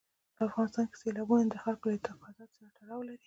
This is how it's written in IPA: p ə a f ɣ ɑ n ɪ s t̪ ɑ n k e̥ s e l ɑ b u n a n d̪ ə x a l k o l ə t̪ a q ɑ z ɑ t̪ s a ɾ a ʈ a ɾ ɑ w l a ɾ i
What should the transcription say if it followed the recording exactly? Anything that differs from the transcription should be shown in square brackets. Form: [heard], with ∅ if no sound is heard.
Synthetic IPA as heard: p ə a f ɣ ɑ n ɪ s t̪ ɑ n k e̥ s e l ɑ b u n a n d̪ ə x a l k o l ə t̪ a q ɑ z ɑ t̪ s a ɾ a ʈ a [ɽ] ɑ w l a ɾ i

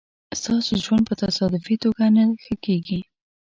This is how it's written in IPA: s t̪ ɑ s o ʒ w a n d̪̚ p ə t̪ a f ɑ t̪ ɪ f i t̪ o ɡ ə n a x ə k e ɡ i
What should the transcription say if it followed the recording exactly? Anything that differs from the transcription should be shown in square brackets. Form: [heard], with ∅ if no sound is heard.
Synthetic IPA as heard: s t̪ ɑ s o ʒ w a n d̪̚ p ə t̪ a [s] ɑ [d̪] ɪ f i t̪ o ɡ [a] n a x ə k e ɡ i

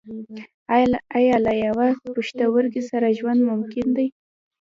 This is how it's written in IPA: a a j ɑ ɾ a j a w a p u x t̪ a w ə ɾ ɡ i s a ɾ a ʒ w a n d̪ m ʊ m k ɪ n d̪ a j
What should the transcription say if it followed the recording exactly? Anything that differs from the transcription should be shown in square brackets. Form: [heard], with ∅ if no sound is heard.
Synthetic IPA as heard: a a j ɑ [l] a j a w a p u [ʃ] t̪ a w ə ɾ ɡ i s a ɾ a ʒ w a n d̪ m ʊ m k ɪ n d̪ a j

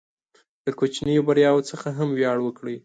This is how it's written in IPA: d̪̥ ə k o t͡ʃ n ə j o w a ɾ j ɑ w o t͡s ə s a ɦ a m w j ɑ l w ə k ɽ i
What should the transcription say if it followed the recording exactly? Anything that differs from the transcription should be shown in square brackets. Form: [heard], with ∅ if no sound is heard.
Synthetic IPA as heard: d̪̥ ə k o t͡ʃ n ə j o [b] a ɾ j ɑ w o t͡s ə [x] a ɦ a m w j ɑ [ɽ] w ə k ɽ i

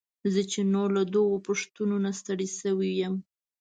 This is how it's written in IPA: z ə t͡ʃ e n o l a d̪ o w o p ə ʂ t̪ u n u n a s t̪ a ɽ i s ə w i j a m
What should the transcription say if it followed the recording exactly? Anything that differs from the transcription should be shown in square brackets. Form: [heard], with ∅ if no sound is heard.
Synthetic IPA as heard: z ə t͡ʃ e n o l a d̪ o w o p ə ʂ t̪ u n [o] n a s t̪ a ɽ i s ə w i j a m

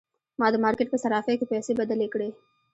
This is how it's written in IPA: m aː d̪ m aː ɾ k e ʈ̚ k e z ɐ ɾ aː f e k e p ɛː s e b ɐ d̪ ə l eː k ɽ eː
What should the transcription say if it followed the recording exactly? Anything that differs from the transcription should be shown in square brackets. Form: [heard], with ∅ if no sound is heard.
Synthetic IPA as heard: m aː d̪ m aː ɾ k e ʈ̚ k e [s] ɐ ɾ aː f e k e p ɛː s e b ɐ d̪ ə l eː k ɽ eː

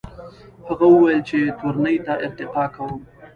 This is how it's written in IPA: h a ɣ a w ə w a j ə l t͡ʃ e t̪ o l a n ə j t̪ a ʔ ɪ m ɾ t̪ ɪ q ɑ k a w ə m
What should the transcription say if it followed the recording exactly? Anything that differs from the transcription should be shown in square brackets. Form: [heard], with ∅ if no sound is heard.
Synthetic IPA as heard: h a ɣ a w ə w a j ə l t͡ʃ e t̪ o [ɾ] a n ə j t̪ a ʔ ɪ [∅] ɾ t̪ ɪ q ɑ k a w ə m

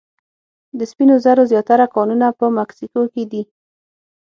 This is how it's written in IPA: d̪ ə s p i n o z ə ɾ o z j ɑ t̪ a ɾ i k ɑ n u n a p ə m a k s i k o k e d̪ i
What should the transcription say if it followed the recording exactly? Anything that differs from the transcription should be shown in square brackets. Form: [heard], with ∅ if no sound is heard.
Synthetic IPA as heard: d̪ ə s p i n o z [a] ɾ o z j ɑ t̪ a ɾ [a] k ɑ n u n a p ə m a k s i k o k e d̪ i

